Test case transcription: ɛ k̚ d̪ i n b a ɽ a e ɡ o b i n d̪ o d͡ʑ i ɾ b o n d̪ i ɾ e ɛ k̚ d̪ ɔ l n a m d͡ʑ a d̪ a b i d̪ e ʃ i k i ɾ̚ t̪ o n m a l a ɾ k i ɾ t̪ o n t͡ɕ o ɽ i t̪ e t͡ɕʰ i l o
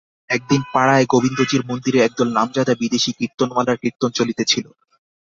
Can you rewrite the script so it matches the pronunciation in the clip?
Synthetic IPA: ɛ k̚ d̪ i n p a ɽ a e ɡ o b i n d̪ o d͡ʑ i ɾ m o n d̪ i ɾ e ɛ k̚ d̪ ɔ l n a m d͡ʑ a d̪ a b i d̪ e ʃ i k i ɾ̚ t̪ o n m a l a ɾ k i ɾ t̪ o n t͡ɕ o l i t̪ e t͡ɕʰ i l o